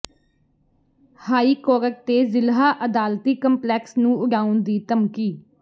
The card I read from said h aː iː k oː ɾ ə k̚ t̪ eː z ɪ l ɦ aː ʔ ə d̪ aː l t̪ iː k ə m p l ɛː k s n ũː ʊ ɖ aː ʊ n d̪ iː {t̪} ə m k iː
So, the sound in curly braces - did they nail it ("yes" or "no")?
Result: yes